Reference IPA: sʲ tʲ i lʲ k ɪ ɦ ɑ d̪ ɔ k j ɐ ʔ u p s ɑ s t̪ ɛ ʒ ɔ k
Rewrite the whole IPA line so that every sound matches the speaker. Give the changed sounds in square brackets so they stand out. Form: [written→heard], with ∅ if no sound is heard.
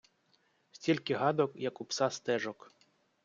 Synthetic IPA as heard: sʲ tʲ i lʲ k ɪ ɦ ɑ d̪ ɔ k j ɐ [ʔ→k] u p s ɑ s t̪ ɛ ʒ ɔ k